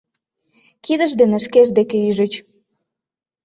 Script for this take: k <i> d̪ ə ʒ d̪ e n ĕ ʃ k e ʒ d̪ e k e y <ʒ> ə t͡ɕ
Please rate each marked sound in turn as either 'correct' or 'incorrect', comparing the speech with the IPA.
correct, correct

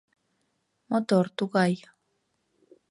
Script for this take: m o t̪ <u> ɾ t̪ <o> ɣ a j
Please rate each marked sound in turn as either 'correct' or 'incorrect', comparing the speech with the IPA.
incorrect, incorrect

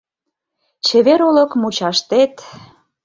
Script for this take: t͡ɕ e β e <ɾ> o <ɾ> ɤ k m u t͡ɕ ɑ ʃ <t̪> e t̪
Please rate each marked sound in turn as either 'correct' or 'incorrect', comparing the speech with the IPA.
correct, incorrect, correct

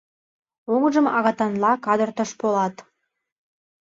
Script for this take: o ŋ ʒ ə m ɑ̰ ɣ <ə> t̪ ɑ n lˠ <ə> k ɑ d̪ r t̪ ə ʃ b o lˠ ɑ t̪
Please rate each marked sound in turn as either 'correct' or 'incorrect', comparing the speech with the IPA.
incorrect, incorrect

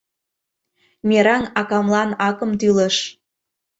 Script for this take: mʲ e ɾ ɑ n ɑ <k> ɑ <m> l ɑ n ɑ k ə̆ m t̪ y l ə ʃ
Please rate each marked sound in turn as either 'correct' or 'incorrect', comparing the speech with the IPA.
correct, correct

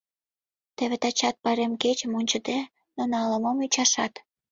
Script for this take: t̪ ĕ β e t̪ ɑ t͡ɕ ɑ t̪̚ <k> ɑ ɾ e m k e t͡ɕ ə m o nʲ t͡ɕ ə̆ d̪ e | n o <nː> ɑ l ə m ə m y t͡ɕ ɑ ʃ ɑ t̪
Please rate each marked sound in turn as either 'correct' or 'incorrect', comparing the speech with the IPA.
incorrect, incorrect

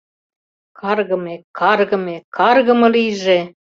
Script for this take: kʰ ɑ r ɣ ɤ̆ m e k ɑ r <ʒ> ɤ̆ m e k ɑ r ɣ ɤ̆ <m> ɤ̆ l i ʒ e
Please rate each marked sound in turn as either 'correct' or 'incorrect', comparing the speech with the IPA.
incorrect, correct

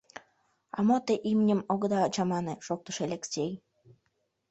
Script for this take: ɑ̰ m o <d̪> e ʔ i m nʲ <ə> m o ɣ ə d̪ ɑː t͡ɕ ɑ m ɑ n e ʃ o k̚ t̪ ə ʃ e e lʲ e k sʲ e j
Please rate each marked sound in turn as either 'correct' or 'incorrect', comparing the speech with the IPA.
incorrect, correct

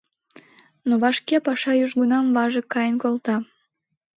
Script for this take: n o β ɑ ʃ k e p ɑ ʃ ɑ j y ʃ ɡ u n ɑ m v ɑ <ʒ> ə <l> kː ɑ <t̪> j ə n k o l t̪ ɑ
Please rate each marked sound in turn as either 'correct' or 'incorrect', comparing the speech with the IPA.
correct, incorrect, incorrect

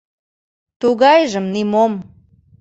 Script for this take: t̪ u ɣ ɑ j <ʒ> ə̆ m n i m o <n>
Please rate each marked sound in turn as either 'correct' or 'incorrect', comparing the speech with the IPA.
correct, incorrect

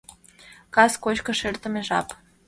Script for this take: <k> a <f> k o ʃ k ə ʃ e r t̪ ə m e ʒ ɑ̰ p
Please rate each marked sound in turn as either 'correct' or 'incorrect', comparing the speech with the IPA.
correct, incorrect

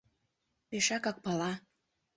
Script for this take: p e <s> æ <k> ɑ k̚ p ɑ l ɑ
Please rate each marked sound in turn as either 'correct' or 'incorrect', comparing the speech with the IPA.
incorrect, correct

